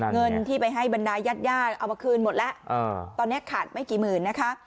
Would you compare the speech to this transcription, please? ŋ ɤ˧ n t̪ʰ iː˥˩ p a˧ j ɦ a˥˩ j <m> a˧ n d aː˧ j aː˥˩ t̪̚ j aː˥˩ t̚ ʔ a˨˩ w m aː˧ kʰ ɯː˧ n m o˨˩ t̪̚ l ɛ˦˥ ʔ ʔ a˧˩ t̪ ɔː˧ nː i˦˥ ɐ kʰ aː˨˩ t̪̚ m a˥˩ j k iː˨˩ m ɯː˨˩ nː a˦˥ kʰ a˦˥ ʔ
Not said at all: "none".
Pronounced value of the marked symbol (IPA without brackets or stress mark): b